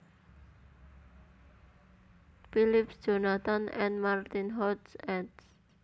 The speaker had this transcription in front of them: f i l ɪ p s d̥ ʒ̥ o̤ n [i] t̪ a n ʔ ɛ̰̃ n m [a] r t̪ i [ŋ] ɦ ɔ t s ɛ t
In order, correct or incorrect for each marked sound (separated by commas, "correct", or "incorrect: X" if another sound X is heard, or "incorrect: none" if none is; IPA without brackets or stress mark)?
incorrect: a, correct, incorrect: n